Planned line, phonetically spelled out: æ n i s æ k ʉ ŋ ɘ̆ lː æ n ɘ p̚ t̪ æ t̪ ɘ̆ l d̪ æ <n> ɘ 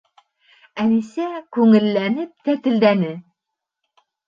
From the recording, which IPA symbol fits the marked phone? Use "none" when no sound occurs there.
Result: n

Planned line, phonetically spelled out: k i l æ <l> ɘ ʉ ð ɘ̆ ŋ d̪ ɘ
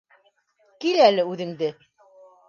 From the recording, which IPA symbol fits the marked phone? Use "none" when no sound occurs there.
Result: l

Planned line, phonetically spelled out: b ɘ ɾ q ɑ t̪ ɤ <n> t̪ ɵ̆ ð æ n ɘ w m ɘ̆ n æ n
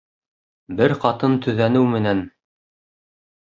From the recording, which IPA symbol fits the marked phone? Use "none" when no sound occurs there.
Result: n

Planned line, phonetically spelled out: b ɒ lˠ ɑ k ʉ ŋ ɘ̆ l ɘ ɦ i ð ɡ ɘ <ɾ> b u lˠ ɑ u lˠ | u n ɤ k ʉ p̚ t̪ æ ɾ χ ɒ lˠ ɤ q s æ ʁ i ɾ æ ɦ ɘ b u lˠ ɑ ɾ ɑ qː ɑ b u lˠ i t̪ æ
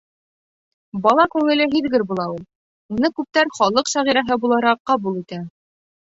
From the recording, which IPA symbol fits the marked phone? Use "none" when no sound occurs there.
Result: ɾ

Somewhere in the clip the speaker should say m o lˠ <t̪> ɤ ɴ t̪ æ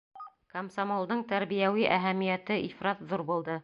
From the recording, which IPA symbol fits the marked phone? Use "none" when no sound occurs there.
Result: d̪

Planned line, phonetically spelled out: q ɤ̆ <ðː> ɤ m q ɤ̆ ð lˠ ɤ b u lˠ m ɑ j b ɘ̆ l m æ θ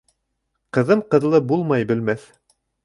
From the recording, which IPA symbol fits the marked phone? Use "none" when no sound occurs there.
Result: ð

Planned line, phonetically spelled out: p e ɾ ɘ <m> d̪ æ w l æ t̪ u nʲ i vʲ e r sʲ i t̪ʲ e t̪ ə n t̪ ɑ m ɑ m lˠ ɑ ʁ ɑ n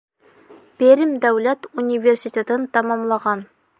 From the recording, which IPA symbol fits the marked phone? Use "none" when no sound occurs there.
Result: m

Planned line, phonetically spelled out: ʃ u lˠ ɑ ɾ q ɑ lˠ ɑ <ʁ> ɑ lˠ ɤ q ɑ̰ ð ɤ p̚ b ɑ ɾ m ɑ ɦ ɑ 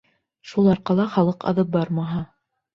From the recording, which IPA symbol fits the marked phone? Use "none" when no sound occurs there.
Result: χ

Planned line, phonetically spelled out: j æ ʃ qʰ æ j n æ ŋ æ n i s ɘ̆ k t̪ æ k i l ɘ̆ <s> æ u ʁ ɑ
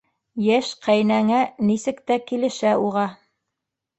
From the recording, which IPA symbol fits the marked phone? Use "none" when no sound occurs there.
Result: ʃ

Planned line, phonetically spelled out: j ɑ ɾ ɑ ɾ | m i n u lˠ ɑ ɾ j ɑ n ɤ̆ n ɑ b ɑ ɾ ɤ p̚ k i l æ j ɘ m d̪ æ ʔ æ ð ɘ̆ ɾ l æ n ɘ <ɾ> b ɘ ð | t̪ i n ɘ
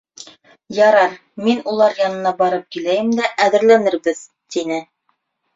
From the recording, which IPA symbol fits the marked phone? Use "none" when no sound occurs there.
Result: ɾ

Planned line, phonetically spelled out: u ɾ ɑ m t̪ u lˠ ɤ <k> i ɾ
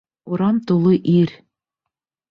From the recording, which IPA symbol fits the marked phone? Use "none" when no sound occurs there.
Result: ʔ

